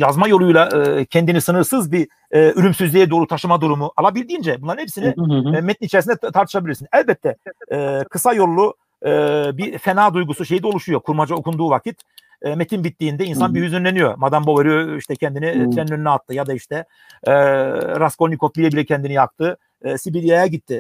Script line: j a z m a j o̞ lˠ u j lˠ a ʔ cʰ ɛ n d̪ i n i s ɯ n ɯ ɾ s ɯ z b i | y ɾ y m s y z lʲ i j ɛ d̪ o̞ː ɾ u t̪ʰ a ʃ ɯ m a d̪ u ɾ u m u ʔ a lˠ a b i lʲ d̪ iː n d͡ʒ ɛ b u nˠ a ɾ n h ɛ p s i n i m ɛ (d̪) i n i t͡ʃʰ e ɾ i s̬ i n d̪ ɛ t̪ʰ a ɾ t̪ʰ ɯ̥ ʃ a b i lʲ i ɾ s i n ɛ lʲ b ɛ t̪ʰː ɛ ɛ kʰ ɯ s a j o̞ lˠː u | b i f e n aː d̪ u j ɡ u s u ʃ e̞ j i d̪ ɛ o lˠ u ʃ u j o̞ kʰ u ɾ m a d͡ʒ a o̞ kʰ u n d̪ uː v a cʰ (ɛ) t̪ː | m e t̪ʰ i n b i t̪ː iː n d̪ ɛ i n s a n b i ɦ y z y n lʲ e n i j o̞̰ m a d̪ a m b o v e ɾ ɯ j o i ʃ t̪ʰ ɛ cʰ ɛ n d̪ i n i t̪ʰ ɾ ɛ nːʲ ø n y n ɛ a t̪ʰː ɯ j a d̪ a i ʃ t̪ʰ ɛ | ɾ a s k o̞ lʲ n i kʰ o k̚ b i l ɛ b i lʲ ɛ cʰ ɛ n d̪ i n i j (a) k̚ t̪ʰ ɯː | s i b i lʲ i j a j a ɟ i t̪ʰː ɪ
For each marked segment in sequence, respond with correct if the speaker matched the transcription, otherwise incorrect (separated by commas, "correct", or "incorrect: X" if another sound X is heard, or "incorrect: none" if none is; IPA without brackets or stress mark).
incorrect: t̪, incorrect: i, correct